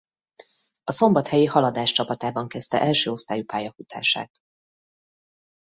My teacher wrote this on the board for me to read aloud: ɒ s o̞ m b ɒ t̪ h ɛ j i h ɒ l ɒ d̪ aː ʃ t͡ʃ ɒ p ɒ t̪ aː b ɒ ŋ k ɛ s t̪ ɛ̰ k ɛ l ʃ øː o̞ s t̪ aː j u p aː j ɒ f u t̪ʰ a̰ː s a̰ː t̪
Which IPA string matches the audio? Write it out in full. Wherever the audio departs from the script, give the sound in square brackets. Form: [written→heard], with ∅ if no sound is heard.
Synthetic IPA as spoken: ɒ s o̞ m b ɒ t̪ h ɛ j i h ɒ l ɒ d̪ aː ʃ t͡ʃ ɒ p ɒ t̪ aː b ɒ ŋ k ɛ s t̪ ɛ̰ [k→ʔ] ɛ l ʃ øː o̞ s t̪ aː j u p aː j ɒ f u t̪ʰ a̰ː [s→ʃ] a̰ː t̪